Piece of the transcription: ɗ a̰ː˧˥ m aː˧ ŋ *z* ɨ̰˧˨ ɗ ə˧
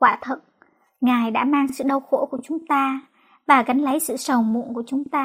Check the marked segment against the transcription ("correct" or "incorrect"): incorrect